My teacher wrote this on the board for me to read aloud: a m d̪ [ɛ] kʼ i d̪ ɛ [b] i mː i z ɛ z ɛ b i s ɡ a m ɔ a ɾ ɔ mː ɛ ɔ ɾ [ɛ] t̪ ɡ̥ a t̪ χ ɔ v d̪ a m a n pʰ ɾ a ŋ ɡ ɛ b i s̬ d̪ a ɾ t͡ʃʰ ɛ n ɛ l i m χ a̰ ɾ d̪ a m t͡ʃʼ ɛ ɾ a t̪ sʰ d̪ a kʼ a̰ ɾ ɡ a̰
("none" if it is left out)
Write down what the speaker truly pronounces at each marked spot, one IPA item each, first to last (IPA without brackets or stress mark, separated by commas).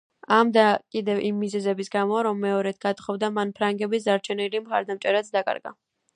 a, v, ɛ